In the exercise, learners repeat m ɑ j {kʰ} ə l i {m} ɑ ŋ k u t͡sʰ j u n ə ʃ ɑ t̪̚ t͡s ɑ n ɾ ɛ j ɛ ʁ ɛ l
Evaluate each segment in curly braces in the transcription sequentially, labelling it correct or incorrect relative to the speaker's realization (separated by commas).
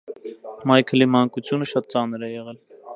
correct, correct